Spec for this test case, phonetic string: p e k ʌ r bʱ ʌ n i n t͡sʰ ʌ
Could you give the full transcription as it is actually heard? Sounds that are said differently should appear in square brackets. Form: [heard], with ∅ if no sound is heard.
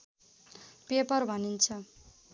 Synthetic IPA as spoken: p e [p] ʌ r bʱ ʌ n i n t͡sʰ ʌ